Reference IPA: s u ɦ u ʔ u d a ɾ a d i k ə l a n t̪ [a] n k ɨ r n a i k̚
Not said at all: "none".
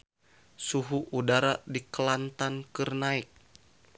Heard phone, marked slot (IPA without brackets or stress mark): a